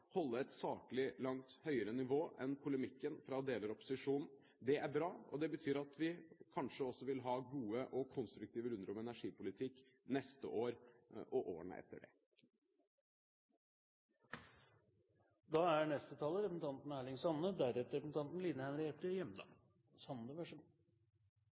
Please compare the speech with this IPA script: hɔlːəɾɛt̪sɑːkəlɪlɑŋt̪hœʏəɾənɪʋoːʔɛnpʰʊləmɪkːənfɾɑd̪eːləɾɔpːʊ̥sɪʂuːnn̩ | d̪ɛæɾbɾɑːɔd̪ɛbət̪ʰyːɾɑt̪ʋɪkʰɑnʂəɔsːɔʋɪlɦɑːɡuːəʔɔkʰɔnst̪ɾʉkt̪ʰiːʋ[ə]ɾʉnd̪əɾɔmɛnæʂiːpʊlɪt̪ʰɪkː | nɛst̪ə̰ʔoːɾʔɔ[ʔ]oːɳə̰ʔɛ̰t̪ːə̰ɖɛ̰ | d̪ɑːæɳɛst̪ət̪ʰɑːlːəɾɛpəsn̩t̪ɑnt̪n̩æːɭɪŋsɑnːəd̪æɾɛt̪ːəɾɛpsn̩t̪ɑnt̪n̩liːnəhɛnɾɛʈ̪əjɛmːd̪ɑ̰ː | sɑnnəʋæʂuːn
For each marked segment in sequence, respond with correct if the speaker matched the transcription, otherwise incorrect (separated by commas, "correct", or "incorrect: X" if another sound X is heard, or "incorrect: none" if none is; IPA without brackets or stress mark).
correct, correct